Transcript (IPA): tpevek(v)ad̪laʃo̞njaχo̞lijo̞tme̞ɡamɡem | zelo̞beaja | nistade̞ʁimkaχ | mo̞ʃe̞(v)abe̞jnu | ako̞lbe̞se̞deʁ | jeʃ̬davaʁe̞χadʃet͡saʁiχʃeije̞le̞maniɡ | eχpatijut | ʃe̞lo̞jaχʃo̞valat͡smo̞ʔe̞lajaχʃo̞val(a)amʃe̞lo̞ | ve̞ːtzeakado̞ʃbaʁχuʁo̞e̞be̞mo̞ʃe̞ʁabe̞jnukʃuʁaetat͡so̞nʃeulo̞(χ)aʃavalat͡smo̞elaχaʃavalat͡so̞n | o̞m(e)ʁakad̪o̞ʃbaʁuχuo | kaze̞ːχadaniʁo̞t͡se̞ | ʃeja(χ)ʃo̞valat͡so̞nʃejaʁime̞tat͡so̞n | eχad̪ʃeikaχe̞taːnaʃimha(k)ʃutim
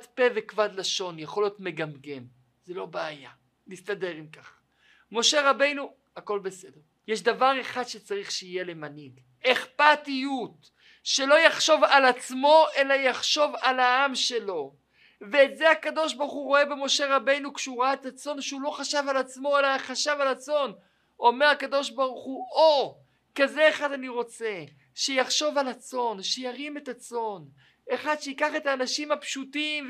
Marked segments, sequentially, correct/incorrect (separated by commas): correct, incorrect, correct, correct, correct, correct, incorrect